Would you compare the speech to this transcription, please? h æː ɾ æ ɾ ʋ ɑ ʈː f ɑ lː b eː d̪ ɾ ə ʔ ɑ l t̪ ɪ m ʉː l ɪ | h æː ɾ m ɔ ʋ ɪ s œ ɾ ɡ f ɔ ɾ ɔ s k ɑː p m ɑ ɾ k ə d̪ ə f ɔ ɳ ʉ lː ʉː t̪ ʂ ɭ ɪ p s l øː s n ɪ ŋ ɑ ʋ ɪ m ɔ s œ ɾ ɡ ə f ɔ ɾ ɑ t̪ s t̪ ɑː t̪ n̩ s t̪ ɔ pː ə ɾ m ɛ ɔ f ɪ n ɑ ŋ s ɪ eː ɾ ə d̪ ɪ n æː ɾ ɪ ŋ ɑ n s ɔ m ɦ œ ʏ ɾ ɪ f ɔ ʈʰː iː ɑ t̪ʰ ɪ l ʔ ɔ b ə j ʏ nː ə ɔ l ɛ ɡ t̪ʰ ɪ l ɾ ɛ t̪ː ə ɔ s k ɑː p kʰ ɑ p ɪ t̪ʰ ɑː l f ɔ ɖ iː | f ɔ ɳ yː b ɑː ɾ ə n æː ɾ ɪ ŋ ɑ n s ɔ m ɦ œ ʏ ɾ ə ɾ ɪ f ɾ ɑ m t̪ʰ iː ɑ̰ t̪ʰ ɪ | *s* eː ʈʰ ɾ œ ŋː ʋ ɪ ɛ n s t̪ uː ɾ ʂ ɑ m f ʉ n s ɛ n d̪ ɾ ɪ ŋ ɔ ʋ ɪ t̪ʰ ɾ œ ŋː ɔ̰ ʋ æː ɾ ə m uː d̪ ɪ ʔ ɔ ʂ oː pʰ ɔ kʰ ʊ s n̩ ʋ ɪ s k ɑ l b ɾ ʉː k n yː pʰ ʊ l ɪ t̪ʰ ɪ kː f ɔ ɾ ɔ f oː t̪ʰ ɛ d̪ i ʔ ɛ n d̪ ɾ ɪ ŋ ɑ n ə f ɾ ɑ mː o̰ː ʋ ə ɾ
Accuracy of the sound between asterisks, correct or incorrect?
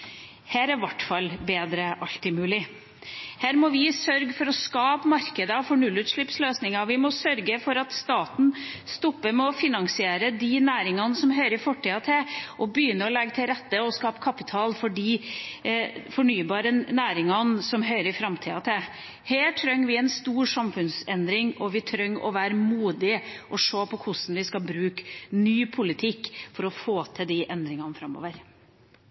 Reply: incorrect